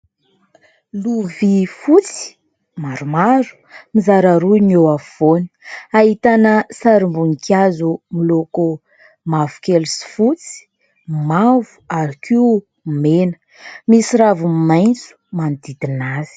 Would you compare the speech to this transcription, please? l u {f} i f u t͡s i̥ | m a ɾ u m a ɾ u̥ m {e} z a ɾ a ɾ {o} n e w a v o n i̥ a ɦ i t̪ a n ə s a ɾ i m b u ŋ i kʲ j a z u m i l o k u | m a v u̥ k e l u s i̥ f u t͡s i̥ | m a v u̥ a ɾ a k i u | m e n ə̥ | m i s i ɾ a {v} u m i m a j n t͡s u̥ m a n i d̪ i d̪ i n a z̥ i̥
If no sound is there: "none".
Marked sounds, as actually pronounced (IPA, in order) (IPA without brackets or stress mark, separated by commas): v, i, u, v